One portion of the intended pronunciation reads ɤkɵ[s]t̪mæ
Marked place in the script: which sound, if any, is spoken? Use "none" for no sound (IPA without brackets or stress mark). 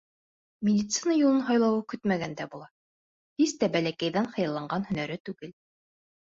none